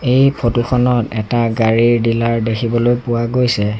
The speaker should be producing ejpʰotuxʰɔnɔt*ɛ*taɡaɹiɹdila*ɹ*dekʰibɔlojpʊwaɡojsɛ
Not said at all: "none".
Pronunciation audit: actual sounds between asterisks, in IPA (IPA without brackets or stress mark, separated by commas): ɛ, ɹ